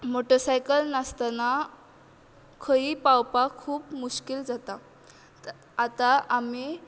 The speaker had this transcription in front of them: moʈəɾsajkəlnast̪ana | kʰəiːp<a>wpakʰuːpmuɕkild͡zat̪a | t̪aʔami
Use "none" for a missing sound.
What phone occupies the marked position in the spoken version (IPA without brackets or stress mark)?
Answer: a